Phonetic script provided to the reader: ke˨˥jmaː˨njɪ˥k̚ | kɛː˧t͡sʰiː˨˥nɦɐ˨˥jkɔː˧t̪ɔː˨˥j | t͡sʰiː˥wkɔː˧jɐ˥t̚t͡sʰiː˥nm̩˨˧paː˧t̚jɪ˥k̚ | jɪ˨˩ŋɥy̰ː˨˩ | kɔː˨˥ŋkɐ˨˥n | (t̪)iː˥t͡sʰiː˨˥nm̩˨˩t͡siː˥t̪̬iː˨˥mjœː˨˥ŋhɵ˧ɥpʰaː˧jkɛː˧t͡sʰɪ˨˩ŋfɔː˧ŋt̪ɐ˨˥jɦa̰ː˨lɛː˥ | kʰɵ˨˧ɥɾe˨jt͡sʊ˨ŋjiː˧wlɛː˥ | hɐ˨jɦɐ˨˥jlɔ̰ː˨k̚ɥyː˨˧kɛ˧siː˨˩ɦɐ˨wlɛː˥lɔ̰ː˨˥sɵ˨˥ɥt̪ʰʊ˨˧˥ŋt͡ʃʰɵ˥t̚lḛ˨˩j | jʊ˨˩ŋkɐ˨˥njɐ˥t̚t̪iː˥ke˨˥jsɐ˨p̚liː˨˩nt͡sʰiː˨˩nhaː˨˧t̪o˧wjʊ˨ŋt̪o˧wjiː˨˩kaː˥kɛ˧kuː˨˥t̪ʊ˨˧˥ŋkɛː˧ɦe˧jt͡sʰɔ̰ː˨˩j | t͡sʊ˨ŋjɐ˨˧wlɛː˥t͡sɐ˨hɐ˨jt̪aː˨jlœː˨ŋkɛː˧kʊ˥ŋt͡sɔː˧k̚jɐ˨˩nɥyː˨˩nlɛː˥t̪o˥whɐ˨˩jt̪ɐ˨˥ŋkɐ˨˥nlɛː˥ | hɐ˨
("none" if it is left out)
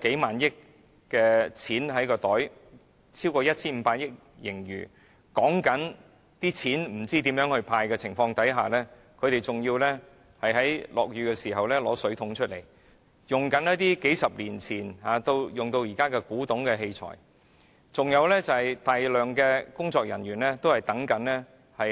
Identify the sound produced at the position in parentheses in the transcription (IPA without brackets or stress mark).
t̪